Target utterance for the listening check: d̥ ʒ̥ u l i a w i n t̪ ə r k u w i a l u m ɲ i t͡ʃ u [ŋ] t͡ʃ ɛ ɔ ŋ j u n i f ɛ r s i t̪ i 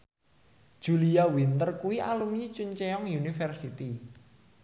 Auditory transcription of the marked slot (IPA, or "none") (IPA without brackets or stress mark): ɲ